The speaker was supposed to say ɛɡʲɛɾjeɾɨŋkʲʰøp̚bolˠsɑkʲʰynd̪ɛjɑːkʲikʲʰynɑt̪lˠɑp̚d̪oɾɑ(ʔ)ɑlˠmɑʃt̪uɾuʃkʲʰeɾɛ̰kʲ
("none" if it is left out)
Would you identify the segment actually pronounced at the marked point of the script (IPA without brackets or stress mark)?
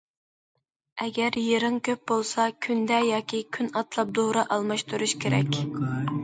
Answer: ʔ